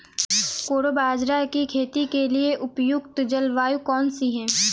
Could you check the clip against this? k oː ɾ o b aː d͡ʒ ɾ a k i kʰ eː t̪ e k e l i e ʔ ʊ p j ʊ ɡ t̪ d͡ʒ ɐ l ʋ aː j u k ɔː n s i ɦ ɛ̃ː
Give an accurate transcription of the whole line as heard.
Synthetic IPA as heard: k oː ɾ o b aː d͡ʒ ɾ a k i kʰ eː t̪ i k e l i e ʔ ʊ p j ʊ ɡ t̪ d͡ʒ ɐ l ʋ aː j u k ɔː n s i ɦ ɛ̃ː